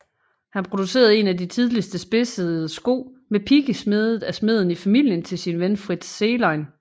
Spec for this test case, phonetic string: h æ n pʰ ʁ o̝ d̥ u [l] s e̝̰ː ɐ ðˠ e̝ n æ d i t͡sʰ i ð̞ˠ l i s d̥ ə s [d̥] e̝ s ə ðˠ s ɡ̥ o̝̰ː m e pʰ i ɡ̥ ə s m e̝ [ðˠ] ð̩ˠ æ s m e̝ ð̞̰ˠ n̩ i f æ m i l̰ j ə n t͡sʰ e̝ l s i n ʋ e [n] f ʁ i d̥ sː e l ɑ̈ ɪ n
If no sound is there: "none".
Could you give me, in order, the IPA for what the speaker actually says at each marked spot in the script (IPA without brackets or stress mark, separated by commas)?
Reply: none, b̥, ðˠ, n